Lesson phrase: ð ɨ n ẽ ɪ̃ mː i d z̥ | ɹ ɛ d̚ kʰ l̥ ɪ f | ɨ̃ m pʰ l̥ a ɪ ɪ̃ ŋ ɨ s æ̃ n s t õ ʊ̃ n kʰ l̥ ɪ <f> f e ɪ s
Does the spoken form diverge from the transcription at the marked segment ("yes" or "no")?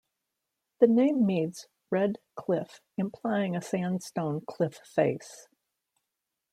no